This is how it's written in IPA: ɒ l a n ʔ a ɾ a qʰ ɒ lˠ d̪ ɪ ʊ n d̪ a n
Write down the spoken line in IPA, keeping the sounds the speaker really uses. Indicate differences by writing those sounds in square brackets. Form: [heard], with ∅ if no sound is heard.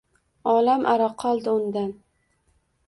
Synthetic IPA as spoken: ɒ l a [m] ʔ a ɾ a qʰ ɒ lˠ d̪ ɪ ʊ n d̪ a n